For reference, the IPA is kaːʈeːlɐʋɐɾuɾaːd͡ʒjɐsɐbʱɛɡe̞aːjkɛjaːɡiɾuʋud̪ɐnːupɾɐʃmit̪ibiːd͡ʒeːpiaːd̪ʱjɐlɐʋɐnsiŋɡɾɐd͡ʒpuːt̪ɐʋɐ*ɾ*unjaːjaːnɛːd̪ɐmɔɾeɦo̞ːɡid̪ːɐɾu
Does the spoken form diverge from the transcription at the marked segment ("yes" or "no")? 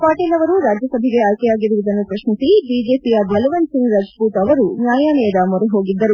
no